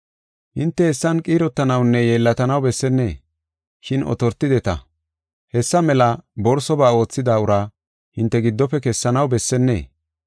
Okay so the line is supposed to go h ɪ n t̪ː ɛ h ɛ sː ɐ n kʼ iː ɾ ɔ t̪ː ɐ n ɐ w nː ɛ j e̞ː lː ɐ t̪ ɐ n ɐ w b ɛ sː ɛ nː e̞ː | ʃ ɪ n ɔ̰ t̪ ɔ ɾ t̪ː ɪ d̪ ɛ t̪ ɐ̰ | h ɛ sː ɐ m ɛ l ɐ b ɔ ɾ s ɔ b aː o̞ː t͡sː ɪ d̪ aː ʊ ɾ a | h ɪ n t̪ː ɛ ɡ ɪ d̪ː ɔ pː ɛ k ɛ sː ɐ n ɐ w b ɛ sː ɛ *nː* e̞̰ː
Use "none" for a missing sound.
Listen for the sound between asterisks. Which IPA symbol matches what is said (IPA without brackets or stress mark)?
nː